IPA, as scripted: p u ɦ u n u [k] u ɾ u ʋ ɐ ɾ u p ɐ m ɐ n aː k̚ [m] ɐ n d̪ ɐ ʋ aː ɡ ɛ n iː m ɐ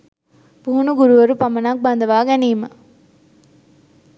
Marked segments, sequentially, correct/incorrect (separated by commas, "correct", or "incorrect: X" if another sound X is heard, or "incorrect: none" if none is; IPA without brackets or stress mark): incorrect: ɡ, incorrect: b